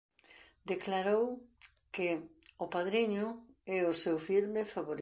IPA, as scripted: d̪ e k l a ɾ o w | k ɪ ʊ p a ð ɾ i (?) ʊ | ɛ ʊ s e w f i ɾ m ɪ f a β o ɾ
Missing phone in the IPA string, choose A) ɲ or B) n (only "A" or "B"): A